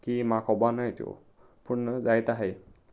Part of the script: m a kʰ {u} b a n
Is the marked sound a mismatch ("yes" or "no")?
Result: yes